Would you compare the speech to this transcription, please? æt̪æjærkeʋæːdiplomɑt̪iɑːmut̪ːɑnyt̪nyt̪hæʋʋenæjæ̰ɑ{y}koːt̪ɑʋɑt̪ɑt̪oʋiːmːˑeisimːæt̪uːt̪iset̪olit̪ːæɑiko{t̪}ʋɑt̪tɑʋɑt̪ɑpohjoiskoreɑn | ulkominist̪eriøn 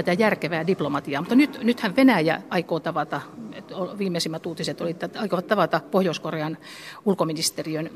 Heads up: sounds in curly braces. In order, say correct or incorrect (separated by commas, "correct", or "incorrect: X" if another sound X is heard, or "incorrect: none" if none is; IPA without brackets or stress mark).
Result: incorrect: i, incorrect: none